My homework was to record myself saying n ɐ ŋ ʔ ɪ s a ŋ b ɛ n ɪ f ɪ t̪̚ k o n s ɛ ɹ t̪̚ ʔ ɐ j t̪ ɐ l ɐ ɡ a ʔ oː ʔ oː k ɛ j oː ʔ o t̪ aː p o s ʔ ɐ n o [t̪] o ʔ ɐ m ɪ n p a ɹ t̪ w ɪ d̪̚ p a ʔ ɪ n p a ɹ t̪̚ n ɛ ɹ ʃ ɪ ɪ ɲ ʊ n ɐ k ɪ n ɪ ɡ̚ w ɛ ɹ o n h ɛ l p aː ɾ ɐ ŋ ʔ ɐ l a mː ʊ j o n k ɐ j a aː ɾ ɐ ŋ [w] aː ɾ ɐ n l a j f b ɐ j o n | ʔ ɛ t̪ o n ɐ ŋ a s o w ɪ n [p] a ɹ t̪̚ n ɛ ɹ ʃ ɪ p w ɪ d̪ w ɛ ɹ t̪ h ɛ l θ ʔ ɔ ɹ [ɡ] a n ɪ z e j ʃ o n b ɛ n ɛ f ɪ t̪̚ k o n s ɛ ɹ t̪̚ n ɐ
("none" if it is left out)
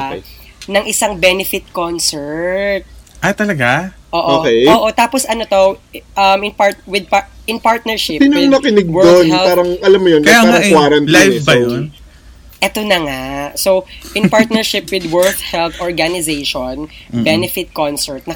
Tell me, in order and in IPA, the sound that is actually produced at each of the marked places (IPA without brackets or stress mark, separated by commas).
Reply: t̪, w, p, ɡ